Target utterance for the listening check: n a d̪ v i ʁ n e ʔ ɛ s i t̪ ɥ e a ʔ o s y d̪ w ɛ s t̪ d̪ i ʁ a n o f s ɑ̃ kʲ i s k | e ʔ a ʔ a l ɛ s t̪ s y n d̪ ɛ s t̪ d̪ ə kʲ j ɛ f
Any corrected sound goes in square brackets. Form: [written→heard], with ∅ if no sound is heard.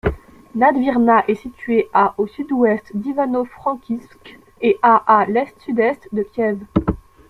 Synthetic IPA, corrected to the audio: n a d̪ v i ʁ n [e→a] ʔ ɛ s i t̪ ɥ e a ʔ o s y d̪ w ɛ s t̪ d̪ i [ʁ→v] a n o f [s→χ] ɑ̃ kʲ i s k | e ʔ a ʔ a l ɛ s t̪ s y [n→∅] d̪ ɛ s t̪ d̪ ə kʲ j ɛ [f→v]